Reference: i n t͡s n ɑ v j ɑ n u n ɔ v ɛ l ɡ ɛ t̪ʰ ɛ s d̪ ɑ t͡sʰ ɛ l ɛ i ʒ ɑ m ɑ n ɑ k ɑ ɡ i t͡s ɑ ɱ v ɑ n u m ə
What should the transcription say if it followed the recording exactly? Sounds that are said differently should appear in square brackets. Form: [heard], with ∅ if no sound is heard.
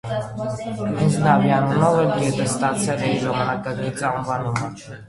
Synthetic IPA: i n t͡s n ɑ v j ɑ n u n ɔ v ɛ l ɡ ɛ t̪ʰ ɛ s [t̪] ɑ t͡sʰ ɛ l ɛ i ʒ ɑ m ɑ n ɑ k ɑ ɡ i t͡s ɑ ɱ v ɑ n u m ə